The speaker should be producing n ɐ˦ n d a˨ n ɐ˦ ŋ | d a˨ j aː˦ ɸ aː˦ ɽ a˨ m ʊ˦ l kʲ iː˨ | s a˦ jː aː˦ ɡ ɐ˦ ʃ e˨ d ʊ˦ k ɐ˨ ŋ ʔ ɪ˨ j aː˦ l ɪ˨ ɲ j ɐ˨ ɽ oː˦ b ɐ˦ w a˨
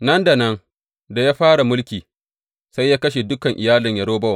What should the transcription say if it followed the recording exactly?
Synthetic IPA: n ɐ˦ n d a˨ n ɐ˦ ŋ | d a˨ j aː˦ ɸ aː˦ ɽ a˨ m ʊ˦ l kʲ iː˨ | s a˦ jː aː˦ k ɐ˦ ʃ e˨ d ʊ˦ k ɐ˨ ŋ ʔ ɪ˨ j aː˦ l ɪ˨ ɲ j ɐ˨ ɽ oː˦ b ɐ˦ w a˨